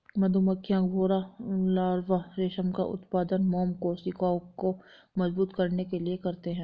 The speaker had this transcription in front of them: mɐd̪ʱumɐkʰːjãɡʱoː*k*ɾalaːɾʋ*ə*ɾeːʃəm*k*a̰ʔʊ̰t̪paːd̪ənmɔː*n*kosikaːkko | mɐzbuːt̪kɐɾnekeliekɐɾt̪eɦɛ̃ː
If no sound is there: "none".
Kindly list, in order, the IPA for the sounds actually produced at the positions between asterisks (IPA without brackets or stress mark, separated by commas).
none, a, k, m